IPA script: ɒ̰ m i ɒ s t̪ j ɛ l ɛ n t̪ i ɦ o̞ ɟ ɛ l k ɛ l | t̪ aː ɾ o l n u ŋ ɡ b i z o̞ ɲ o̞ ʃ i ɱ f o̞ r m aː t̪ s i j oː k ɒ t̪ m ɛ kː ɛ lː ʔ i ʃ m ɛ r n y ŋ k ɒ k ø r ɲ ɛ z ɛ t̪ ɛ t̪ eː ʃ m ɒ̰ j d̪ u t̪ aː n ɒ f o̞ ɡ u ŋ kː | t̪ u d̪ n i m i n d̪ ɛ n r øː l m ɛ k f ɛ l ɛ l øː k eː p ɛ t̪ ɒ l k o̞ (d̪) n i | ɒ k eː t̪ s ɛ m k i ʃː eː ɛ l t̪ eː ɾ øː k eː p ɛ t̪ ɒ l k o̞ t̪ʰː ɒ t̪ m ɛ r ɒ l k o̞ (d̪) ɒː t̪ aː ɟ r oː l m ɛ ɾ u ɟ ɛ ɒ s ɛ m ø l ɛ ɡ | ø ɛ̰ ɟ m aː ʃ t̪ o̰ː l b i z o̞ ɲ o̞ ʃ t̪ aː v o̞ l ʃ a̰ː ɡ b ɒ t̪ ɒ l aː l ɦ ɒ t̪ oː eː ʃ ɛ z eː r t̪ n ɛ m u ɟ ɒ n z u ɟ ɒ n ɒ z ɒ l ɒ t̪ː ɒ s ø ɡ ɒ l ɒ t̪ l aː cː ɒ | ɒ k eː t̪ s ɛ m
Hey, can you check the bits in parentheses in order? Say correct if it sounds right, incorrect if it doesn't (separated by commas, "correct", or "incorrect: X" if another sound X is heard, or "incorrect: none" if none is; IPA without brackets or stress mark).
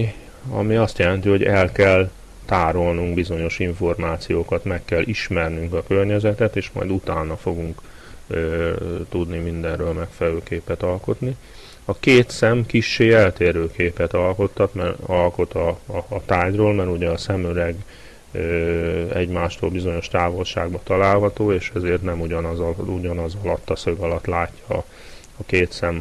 incorrect: t̪, incorrect: t̪